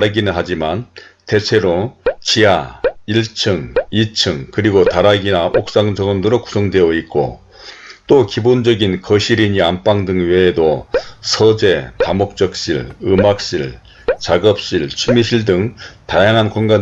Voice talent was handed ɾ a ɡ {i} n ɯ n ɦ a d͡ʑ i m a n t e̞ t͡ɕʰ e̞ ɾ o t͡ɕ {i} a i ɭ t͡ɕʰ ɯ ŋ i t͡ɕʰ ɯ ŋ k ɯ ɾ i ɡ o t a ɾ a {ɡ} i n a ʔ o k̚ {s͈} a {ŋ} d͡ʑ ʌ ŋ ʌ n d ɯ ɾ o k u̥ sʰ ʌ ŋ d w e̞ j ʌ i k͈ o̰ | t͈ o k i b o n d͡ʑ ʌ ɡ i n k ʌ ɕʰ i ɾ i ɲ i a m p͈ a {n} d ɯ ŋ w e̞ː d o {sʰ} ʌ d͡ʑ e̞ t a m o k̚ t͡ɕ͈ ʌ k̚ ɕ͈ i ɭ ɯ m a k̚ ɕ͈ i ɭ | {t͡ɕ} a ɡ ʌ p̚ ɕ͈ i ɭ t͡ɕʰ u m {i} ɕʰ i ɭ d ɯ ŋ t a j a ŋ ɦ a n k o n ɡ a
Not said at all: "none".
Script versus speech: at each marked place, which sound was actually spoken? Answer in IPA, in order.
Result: i, i, ɡ, s͈, ŋ, ŋ, sʰ, t͡ɕ, i

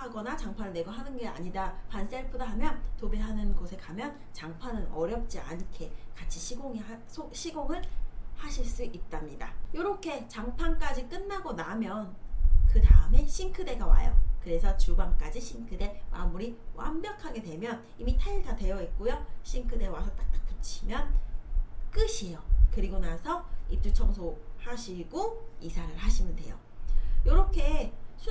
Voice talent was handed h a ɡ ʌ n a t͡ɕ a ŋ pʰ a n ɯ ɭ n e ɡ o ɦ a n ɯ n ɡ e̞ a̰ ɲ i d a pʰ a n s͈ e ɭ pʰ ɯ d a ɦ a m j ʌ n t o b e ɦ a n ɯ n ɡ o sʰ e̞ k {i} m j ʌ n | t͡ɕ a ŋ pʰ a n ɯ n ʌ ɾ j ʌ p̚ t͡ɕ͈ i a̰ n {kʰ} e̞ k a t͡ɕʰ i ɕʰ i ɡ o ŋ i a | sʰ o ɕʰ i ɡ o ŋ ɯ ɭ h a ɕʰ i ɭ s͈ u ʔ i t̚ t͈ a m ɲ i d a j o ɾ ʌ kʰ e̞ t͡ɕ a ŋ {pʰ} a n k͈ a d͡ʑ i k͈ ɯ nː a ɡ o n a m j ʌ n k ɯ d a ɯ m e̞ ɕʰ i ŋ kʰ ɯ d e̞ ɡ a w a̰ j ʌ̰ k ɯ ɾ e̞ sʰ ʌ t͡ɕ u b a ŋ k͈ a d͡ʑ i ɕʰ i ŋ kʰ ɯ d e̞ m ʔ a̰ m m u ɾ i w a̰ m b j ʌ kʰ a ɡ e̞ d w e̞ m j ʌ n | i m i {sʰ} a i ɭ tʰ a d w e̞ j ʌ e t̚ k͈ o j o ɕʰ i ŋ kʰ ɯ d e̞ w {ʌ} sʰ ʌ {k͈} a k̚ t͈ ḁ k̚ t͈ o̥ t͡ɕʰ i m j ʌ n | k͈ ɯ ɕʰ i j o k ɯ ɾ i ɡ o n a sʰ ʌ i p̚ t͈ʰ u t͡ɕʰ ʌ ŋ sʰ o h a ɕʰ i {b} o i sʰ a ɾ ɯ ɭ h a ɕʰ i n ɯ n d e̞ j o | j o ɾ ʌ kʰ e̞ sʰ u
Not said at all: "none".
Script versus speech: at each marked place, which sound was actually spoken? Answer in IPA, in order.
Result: a, kʰ, pʰ, tʰ, a, t͈, ɡ

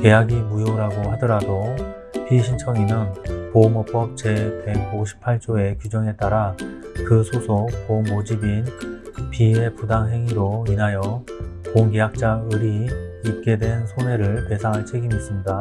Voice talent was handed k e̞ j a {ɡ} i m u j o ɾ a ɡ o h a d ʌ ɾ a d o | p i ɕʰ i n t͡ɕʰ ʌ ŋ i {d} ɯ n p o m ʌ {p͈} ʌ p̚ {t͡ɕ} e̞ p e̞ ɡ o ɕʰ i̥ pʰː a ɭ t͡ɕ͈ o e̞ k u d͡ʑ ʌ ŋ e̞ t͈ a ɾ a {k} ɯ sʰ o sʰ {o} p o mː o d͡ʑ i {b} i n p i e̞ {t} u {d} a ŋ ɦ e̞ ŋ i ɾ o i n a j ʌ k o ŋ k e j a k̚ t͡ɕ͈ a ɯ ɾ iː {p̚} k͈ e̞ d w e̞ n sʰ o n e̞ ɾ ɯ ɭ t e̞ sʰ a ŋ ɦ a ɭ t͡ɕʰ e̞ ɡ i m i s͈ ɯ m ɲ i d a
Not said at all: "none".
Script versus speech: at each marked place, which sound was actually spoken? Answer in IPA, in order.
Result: ɡ, n, p͈, t͡ɕ, k, o, b, p, d, p̚

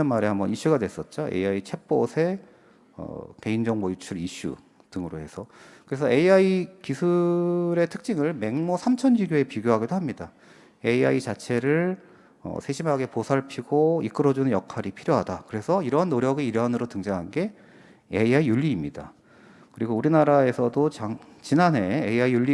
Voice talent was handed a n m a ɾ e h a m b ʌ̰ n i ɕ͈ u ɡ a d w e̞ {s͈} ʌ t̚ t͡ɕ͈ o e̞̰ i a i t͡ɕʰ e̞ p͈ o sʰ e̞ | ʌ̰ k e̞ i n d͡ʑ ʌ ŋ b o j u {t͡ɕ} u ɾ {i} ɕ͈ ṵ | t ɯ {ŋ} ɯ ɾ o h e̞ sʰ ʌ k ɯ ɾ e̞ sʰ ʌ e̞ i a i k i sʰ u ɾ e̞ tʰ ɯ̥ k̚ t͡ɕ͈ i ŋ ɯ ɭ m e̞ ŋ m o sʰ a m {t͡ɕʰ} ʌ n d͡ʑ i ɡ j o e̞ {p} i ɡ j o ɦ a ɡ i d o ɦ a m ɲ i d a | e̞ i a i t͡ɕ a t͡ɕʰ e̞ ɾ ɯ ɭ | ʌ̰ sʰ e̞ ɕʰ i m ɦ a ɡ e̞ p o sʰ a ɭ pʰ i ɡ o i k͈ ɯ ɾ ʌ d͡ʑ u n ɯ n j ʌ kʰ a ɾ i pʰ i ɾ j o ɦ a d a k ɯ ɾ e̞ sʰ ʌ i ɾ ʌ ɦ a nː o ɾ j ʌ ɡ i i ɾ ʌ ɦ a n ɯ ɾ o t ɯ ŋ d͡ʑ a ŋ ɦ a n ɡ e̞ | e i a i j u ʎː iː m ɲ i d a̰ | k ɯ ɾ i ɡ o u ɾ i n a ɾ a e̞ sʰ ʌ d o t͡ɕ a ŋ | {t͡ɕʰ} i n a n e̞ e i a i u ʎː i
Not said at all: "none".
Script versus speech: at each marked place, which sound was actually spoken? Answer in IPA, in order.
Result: s͈, t͡ɕʰ, i, ŋ, t͡ɕʰ, p, t͡ɕ

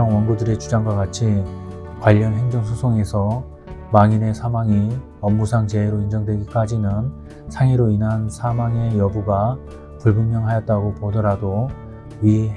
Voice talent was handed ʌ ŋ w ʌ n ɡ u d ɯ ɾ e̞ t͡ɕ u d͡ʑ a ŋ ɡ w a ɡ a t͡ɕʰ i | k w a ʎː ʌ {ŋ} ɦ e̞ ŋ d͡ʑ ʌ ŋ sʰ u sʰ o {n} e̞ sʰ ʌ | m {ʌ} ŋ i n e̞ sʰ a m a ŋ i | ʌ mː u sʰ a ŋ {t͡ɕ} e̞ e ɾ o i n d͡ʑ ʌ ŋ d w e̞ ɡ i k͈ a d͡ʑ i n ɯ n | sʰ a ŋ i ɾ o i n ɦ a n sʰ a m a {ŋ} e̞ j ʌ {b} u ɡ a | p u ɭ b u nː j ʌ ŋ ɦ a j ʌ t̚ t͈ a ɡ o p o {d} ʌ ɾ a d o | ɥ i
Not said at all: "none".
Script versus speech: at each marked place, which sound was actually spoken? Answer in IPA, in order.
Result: n, ŋ, a, t͡ɕ, ŋ, b, d

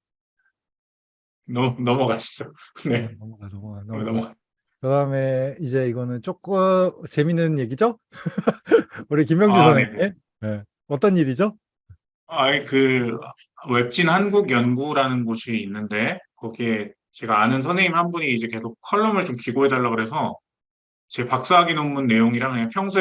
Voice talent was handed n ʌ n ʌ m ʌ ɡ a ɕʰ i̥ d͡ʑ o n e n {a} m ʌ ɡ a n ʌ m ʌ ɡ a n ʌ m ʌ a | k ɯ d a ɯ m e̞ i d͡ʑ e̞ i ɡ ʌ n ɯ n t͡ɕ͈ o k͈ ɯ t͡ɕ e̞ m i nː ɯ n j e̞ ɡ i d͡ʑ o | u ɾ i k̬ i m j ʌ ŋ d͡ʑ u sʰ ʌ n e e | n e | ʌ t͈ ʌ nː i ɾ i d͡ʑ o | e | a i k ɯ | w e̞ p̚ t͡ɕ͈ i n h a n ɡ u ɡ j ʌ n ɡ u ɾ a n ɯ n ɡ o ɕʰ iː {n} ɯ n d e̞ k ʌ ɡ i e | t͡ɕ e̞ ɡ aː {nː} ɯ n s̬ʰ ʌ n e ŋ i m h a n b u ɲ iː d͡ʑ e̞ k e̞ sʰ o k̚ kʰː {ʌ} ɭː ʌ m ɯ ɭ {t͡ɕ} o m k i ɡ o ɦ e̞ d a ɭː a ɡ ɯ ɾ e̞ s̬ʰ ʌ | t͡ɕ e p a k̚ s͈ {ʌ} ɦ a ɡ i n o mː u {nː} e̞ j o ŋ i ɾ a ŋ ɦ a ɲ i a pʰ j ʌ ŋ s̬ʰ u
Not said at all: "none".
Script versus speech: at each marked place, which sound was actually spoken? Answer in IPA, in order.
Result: ʌ, nː, n, ʌ, t͡ɕ, a, nː

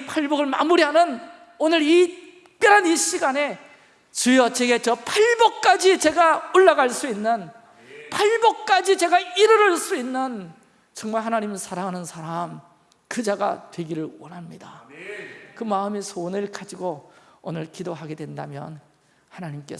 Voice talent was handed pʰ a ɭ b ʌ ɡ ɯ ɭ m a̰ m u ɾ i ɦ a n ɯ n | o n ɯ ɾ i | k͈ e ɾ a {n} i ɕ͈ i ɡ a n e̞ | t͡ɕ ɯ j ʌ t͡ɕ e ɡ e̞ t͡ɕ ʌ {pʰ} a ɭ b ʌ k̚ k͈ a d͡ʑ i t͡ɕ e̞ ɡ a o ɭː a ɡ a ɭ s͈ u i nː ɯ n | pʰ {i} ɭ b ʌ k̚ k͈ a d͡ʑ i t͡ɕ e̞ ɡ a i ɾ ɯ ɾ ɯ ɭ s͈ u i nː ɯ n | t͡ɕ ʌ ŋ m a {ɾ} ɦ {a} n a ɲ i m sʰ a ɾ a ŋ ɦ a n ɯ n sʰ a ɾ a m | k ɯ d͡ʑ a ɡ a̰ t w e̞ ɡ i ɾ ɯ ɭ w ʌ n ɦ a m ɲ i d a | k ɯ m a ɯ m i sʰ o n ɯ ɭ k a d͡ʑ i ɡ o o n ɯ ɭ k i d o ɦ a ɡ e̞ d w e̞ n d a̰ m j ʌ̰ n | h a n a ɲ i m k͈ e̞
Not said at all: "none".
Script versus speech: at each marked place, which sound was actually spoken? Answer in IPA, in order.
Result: n, pʰ, a, ɭ, a

